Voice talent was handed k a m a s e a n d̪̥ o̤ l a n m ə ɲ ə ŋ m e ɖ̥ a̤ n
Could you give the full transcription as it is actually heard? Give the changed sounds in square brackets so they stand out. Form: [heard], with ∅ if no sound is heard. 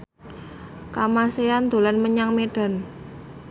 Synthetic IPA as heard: k a m a s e a n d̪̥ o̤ l a n m ə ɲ [a] ŋ m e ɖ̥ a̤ n

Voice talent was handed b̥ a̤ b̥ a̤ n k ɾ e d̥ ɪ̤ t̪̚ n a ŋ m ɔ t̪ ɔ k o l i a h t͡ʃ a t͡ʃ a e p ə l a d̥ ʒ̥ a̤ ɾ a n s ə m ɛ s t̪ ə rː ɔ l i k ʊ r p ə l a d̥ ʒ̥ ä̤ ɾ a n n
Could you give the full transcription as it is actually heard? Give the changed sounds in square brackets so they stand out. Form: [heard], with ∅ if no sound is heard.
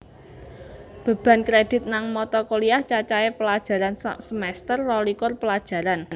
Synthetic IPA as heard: b̥ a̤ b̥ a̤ n k ɾ e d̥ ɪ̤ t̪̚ n a ŋ m ɔ t̪ ɔ k o l i a h t͡ʃ a t͡ʃ a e p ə l a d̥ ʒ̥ a̤ ɾ a n s ə m ɛ s t̪ ə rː ɔ l i k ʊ r p ə l a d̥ ʒ̥ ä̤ ɾ a n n

